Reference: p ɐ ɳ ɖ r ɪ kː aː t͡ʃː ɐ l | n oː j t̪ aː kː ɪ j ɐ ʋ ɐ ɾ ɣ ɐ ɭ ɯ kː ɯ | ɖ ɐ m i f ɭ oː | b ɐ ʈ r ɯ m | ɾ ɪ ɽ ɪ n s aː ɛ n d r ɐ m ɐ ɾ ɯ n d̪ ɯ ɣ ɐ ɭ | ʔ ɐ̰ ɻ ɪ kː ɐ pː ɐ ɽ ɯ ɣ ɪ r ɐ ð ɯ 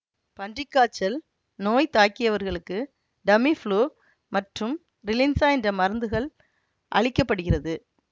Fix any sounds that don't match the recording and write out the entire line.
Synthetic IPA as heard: p ɐ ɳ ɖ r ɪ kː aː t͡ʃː ɐ l | n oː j t̪ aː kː ɪ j ɐ ʋ ɐ ɾ ɣ ɐ ɭ ɯ kː ɯ | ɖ ɐ m i f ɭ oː | m ɐ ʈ r ɯ m | ɾ ɪ l ɪ n s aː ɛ n d r ɐ m ɐ ɾ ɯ n d̪ ɯ ɣ ɐ ɭ | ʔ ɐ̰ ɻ ɪ kː ɐ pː ɐ ɽ ɯ ɣ ɪ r ɐ ð ɯ

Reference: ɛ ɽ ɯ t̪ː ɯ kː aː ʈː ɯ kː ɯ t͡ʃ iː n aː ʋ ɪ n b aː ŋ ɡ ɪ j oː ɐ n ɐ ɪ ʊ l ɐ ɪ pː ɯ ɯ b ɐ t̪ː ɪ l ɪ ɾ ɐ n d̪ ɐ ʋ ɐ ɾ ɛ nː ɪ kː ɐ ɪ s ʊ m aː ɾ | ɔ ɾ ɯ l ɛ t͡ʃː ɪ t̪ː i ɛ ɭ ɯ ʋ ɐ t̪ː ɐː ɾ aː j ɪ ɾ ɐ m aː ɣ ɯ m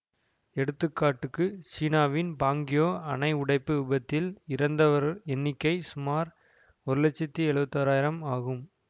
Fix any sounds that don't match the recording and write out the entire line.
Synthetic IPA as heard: ɛ ɽ ɯ t̪ː ɯ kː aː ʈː ɯ kː ɯ t͡ʃ iː n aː ʋ ɪ n b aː ŋ ɡ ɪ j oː ɐ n ɐ ɪ ʊ ɽ ɐ ɪ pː ɯ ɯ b ɐ t̪ː ɪ l ɪ ɾ ɐ n d̪ ɐ ʋ ɐ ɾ ɛ nː ɪ kː ɐ ɪ s ʊ m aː ɾ | ɔ ɾ ɯ l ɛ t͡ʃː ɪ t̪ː i ɛ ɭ ɯ ʋ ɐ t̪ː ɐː ɾ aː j ɪ ɾ ɐ m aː ɣ ɯ m

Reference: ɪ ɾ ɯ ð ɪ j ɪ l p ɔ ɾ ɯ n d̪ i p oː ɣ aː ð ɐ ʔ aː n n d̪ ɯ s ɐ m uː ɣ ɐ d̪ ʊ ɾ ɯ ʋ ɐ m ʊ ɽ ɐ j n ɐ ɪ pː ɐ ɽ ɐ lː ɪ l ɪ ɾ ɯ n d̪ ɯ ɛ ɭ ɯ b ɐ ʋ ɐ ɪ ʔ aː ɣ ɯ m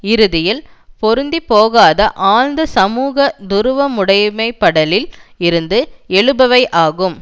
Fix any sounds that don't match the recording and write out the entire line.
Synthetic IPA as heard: ɪ ɾ ɯ ð ɪ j ɪ l p ɔ ɾ ɯ n d̪ i p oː ɣ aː ð ɐ ʔ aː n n d̪ ɯ s ɐ m uː ɣ ɐ d̪ ʊ ɾ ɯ ʋ ɐ m ʊ ɽ ɐ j m ɐ ɪ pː ɐ ɽ ɐ l ɪ l ɪ ɾ ɯ n d̪ ɯ ɛ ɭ ɯ b ɐ ʋ ɐ ɪ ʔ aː ɣ ɯ m

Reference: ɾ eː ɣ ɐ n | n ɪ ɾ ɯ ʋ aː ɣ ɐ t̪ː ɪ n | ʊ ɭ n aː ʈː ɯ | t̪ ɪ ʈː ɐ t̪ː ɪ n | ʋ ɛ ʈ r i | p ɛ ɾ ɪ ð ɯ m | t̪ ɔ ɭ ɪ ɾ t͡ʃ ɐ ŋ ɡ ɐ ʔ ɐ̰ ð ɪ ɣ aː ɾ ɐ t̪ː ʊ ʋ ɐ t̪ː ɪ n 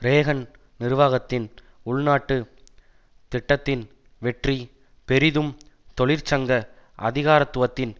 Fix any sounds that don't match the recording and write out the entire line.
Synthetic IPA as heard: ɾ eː ɣ ɐ n | n ɪ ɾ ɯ ʋ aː ɣ ɐ t̪ː ɪ n | ʊ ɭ n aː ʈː ɯ | t̪ ɪ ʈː ɐ t̪ː ɪ n | ʋ ɛ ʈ r i | p ɛ ɾ ɪ ð ɯ m | t̪ ɔ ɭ ɪ ɾ t͡ʃ ɐ ŋ ɡ ɐ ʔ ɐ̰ ð ɪ ɣ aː ɾ ɐ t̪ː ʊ ʋ ɐ t̪ː ɪ n

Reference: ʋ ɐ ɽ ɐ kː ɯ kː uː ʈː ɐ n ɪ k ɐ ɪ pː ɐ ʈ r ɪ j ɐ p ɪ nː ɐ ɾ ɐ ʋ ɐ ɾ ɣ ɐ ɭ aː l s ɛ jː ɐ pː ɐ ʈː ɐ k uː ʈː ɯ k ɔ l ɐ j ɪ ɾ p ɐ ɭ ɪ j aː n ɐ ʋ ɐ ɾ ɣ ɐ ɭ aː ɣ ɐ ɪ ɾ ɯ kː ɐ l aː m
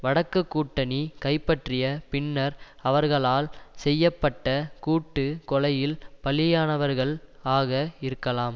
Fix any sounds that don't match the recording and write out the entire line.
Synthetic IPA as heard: ʋ ɐ ɽ ɐ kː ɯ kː uː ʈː ɐ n i k ɐ ɪ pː ɐ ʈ r ɪ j ɐ p ɪ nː ɐ ɾ ɐ ʋ ɐ ɾ ɣ ɐ ɭ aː l s ɛ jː ɐ pː ɐ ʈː ɐ k uː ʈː ɯ k ɔ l ɐ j ɪ l p ɐ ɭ ɪ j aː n ɐ ʋ ɐ ɾ ɣ ɐ ɭ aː ɣ ɐ ɪ ɾ ɯ kː ɐ l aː m

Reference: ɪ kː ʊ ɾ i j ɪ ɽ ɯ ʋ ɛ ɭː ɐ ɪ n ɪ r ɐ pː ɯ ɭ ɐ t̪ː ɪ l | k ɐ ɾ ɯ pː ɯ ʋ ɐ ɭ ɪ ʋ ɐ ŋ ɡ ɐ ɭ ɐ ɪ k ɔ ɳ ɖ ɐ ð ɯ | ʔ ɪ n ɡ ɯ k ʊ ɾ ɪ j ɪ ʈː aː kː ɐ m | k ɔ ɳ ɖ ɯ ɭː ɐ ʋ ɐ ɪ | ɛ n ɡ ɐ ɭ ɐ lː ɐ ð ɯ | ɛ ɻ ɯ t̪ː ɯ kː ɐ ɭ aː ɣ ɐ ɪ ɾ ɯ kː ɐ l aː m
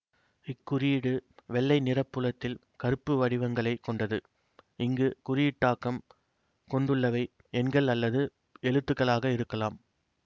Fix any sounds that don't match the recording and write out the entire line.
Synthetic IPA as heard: ɪ kː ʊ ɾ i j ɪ ɽ ɯ ʋ ɛ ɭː ɐ ɪ n ɪ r ɐ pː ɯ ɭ ɐ t̪ː ɪ l | k ɐ ɾ ɯ pː ɯ ʋ ɐ ɽ ɪ ʋ ɐ ŋ ɡ ɐ ɭ ɐ ɪ k ɔ ɳ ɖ ɐ ð ɯ | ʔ ɪ ŋ ɡ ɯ k ʊ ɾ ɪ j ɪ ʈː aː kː ɐ m | k ɔ ɳ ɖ ɯ ɭː ɐ ʋ ɐ ɪ | ɛ n ɡ ɐ ɭ ɐ lː ɐ ð ɯ | ɛ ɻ ɯ t̪ː ɯ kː ɐ ɭ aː ɣ ɐ ɪ ɾ ɯ kː ɐ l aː m

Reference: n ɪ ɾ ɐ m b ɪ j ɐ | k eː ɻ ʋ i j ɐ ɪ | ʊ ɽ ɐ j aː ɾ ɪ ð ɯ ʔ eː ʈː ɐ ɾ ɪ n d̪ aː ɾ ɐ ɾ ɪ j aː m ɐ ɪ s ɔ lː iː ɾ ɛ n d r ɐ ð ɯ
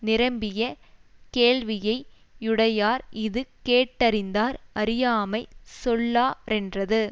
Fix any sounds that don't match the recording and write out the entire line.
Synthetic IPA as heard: n ɪ ɾ ɐ m b ɪ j ɐ | k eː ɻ ʋ ɪ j ɐ ɪ | ʊ ɽ ɐ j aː ɾ ɪ ð ɯ k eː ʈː ɐ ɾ ɪ n d̪ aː ɾ ɐ ɾ ɪ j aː m ɐ ɪ s ɔ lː aː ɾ ɛ n d r ɐ ð ɯ

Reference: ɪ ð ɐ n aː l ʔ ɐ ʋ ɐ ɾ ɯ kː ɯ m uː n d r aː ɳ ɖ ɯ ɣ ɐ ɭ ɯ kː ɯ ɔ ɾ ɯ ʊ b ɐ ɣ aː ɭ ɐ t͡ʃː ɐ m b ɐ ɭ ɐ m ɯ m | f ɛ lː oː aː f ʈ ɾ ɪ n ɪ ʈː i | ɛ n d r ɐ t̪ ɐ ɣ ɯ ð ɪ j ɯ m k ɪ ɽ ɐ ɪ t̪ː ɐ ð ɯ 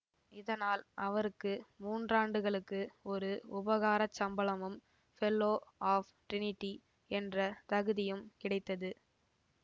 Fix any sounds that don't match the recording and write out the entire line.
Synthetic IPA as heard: ɪ ð ɐ n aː l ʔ ɐ ʋ ɐ ɾ ɯ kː ɯ m uː n d r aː ɳ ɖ ɯ ɣ ɐ ɭ ɯ kː ɯ ɔ ɾ ɯ ʊ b ɐ ɣ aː ɾ ɐ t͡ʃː ɐ m b ɐ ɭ ɐ m ɯ m | f ɛ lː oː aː f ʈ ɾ ɪ n ɪ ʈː i | ɛ n d r ɐ t̪ ɐ ɣ ɯ ð ɪ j ɯ m k ɪ ɽ ɐ ɪ t̪ː ɐ ð ɯ

